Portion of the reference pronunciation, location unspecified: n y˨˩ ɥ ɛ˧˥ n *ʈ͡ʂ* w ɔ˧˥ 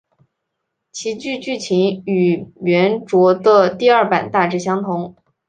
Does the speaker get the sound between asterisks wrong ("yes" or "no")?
no